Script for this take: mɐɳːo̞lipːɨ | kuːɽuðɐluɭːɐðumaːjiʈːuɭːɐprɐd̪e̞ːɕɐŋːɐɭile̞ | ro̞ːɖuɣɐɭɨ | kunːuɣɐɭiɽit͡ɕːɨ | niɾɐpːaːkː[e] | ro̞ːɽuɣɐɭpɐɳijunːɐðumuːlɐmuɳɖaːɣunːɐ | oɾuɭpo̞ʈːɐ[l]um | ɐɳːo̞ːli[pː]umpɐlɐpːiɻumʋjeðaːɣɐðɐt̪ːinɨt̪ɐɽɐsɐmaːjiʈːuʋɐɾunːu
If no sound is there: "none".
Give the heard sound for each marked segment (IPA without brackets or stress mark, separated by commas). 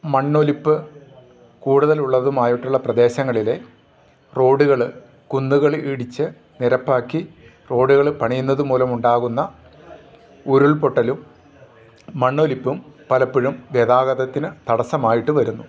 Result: i, l, pː